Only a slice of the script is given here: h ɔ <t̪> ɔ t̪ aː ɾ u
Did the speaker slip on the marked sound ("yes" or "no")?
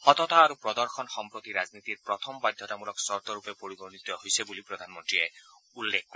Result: no